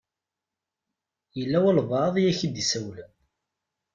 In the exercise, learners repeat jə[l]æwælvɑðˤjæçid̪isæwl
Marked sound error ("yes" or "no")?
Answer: yes